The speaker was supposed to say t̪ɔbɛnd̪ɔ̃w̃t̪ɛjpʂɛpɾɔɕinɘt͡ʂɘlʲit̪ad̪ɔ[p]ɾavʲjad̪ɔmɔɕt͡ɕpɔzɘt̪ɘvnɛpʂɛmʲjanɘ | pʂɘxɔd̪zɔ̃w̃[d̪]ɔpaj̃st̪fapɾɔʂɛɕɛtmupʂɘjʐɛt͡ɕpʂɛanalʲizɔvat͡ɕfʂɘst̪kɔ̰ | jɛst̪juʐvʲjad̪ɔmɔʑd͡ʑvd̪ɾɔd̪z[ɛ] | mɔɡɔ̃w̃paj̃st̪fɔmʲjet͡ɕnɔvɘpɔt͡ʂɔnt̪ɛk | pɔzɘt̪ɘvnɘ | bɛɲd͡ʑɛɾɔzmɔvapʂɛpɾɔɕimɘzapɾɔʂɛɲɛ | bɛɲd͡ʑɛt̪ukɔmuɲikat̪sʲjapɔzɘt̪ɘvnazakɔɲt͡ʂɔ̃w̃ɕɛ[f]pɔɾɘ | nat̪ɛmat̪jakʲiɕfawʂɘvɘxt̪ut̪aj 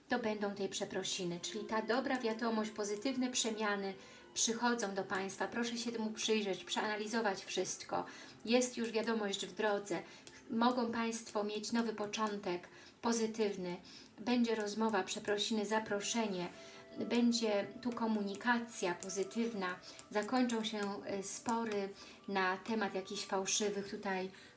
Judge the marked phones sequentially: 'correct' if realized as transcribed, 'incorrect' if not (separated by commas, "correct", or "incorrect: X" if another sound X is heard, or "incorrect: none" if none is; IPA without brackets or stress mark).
incorrect: b, correct, correct, incorrect: s